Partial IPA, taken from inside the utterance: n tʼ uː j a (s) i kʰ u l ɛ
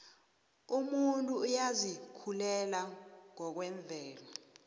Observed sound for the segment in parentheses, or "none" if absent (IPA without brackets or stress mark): z